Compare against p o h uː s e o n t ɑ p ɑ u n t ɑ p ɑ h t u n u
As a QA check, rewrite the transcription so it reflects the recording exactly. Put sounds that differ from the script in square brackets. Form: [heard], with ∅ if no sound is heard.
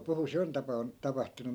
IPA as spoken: p [u] h [u] s e o n t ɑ p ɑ u n t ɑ p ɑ h t u n u